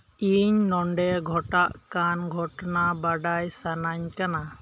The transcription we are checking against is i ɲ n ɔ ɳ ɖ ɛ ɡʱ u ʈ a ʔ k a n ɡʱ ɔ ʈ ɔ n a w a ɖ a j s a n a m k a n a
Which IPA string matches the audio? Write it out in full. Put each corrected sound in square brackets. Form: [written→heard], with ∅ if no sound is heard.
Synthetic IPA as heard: i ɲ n ɔ ɳ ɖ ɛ ɡʱ [u→ɔ] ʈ a ʔ k a n ɡʱ ɔ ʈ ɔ n a [w→b] a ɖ a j s a n a [m→ɲ] k a n a